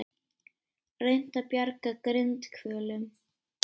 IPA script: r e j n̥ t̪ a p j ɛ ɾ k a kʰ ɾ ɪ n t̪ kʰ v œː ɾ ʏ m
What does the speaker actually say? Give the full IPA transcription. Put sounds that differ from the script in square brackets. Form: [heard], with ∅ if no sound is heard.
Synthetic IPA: r e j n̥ t̪ a p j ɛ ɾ k a [k] ɾ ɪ n t̪ kʰ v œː [l] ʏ m